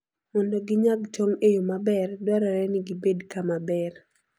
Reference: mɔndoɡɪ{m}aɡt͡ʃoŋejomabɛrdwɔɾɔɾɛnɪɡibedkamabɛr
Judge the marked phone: incorrect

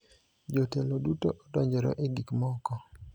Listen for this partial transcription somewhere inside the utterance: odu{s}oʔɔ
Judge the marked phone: incorrect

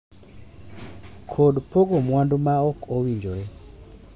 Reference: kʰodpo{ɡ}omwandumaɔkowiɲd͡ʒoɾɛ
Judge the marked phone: correct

